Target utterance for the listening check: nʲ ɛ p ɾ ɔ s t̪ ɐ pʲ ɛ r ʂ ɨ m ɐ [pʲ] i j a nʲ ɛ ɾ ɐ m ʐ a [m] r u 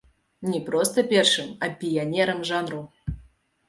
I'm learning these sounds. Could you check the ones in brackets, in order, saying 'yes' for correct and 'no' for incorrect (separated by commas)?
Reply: yes, no